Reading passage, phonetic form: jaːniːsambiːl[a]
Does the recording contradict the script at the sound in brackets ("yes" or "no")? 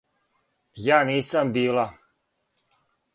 no